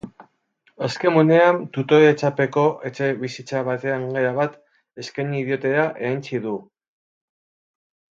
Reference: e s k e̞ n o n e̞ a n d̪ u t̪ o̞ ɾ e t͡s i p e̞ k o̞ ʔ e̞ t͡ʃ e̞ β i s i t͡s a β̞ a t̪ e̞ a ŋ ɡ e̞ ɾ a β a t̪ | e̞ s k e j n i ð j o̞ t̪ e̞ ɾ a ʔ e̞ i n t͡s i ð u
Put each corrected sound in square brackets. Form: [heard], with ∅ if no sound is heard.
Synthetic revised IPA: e s k e̞ [m] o n e̞ a n [t̪] u t̪ o̞ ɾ e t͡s [a] p e̞ k o̞ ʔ e̞ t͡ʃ e̞ β i s i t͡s a β̞ a t̪ e̞ a ŋ ɡ e̞ ɾ a β a t̪ | e̞ s k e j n i ð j o̞ t̪ e̞ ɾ a ʔ e̞ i n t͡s i ð u